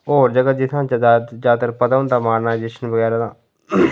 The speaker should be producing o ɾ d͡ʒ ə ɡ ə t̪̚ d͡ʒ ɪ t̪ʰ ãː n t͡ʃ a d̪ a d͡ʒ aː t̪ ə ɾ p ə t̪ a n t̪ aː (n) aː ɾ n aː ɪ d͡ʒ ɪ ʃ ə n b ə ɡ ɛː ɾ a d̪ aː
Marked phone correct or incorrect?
incorrect